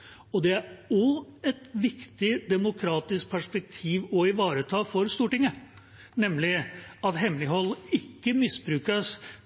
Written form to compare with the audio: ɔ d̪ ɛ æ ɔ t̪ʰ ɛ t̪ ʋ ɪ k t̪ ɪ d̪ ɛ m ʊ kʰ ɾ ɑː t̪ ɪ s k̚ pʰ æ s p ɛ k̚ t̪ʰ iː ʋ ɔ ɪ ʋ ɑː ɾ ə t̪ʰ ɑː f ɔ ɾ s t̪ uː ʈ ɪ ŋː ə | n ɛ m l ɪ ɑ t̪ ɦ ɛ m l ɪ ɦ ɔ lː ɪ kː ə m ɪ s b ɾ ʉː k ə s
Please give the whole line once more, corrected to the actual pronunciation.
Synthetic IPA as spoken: ɔ d̪ ɛ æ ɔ ɛ t̪ ʋ ɪ k t̪ ɪ d̪ ɛ m ʊ kʰ ɾ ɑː t̪ ɪ s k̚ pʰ æ ʂ p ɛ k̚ t̪ʰ iː ʋ ɔ ɪ ʋ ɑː ɾ ə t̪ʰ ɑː f ɔ ɾ s t̪ uː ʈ ɪ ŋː ə | n ɛ m l ɪ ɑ t̪ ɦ ɛ m l ɪ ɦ ɔ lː ɪ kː ə m ɪ s b ɾ ʉː k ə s

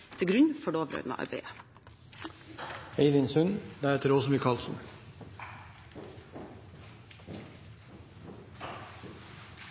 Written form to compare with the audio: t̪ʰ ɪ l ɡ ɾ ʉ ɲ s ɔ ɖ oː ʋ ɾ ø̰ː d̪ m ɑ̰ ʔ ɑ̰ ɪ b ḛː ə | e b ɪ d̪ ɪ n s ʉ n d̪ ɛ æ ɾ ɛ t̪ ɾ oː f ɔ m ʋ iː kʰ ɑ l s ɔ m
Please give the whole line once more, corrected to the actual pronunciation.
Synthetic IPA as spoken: t̪ʰ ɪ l ɡ ɾ ʉ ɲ f ɔ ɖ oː ʋ ɾ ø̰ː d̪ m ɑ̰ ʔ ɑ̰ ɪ b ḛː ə | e ɪ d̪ ɪ n s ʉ n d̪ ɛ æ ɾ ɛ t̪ ɾ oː s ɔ m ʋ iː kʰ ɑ l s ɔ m

